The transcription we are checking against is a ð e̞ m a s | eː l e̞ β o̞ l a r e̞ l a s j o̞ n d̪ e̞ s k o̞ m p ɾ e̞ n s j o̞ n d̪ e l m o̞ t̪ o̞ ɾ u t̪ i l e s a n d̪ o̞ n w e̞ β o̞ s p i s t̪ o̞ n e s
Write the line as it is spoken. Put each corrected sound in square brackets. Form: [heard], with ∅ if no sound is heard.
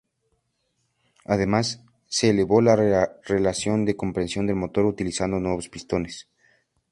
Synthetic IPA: a ð e̞ m a [sː] | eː l e̞ β o̞ l a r e̞ l a s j o̞ n d̪ e̞ [∅] k o̞ m p ɾ e̞ n s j o̞ n d̪ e l m o̞ t̪ o̞ ɾ u t̪ i l [i] s a n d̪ o̞ n w e̞ β o̞ s p i s t̪ o̞ n e s